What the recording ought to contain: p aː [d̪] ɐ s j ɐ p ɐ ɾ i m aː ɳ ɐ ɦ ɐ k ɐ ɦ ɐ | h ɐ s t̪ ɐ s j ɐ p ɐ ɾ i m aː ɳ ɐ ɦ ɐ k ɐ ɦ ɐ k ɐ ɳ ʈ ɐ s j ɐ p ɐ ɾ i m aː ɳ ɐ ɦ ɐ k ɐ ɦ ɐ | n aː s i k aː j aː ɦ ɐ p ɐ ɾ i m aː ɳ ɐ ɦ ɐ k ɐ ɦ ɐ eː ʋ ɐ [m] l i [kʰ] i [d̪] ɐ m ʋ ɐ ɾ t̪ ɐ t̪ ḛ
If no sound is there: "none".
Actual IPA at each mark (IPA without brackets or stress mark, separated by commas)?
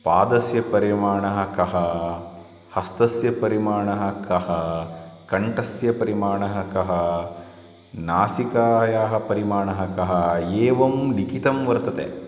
d̪, m, k, t̪